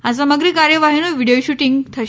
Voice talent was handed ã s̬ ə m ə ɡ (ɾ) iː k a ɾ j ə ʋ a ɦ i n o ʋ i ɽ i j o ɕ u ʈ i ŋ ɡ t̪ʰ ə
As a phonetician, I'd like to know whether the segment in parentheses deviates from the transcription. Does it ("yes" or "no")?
no